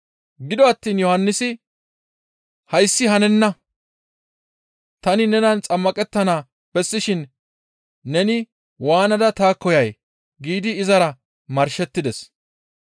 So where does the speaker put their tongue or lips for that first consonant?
velum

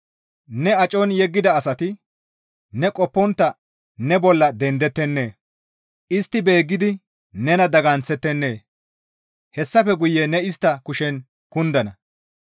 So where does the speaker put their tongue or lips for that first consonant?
tongue tip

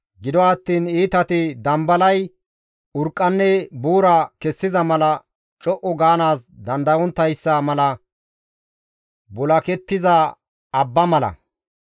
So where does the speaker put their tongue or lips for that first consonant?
velum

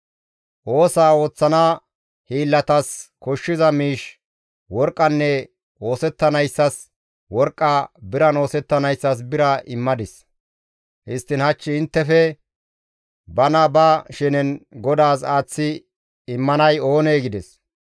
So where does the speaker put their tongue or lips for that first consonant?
throat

